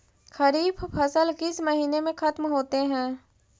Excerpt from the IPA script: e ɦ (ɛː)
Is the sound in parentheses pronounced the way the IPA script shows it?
no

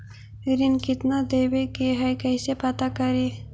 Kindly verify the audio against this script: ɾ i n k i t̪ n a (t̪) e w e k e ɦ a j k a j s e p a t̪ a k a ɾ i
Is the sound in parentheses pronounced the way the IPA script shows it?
no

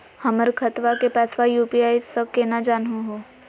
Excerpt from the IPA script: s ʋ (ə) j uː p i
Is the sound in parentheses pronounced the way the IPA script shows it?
no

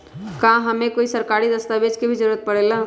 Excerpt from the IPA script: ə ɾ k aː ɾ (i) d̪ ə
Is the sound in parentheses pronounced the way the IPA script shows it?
yes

